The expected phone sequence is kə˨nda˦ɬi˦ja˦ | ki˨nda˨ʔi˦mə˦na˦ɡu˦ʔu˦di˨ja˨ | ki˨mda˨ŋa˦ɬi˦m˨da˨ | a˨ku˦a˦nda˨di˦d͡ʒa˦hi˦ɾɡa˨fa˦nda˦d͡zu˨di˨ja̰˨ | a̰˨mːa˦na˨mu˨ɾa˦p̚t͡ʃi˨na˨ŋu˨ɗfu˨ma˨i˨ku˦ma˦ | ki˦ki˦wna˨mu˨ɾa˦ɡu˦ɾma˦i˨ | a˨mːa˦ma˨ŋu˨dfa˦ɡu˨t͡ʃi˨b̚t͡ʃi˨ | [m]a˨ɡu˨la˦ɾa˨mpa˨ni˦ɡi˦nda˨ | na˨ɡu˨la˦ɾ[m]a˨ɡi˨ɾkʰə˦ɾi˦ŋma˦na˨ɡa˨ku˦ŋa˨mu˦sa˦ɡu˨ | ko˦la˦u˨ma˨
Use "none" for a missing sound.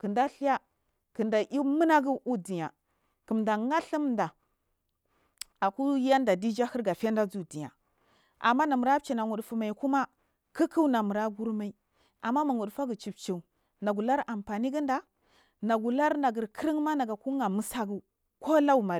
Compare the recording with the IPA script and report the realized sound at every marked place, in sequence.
n, n

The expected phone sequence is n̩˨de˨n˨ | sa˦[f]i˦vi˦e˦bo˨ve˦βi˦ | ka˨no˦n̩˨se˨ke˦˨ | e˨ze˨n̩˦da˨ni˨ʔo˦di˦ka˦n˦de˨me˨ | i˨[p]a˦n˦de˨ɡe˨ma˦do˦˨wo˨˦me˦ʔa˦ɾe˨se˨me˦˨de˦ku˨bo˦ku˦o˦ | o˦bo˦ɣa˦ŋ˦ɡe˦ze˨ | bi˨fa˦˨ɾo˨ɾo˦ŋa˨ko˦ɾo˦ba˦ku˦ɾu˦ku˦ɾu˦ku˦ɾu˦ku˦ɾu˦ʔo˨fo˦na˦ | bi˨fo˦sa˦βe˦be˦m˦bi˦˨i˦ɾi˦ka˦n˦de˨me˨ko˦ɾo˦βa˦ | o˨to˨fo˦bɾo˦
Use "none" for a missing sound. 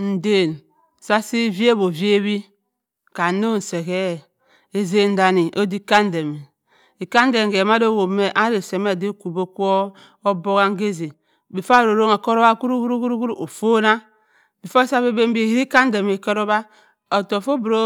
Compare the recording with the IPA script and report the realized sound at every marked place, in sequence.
s, k

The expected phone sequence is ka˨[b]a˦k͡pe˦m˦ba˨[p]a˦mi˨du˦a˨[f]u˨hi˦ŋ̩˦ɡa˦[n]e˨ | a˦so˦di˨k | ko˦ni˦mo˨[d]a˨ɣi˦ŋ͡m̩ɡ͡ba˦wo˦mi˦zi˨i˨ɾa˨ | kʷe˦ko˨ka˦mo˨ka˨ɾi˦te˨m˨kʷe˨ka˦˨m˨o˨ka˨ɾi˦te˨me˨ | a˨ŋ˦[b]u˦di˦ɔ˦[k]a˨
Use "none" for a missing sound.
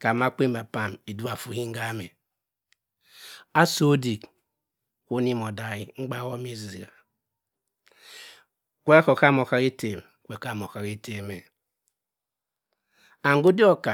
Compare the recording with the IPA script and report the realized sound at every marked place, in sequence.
m, p, f, m, d, ɡ, k

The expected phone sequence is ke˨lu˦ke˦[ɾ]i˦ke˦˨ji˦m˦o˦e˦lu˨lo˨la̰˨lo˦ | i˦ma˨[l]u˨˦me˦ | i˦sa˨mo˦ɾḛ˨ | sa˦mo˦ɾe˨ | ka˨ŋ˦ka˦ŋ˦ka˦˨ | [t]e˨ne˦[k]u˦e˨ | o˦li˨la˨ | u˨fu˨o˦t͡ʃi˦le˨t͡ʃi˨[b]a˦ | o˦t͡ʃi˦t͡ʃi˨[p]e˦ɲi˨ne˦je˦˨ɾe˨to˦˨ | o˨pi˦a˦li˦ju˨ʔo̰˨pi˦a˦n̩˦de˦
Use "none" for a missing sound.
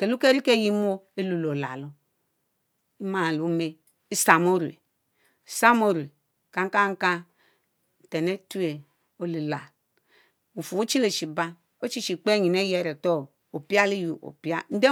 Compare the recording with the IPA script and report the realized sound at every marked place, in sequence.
ɾ, l, t, t, b, k͡p

